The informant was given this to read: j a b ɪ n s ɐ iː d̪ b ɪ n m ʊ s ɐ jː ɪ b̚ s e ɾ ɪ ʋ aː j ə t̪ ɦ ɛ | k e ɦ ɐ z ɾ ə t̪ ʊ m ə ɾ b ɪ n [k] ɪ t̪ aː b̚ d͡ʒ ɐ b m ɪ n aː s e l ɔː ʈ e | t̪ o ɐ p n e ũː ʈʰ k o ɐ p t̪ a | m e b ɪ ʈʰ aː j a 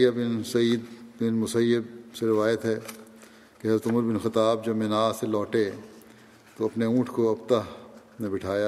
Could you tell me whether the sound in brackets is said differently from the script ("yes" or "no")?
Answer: yes